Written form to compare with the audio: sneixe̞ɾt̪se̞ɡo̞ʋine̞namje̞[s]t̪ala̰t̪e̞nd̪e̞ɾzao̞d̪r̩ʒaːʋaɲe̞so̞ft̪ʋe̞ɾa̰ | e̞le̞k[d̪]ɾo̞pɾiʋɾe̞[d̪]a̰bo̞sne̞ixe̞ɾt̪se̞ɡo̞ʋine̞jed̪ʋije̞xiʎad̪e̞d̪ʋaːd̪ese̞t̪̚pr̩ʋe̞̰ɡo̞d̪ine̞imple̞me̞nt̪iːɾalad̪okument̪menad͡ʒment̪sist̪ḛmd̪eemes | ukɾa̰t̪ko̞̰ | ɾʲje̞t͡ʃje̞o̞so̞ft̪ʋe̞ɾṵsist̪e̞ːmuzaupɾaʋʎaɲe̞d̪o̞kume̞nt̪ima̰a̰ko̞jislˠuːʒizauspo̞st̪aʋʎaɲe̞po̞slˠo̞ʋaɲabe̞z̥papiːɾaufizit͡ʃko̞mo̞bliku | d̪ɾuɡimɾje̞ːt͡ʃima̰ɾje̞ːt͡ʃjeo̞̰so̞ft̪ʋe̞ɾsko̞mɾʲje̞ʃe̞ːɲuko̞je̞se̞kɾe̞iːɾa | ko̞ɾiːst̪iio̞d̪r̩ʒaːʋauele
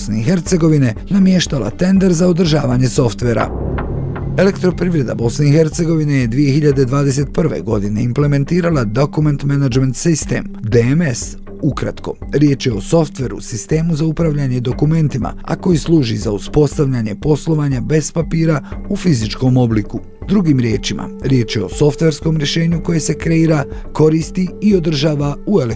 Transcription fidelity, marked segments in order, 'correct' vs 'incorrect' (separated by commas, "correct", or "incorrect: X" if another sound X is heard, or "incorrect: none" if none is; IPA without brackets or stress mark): incorrect: ʃ, incorrect: t̪, correct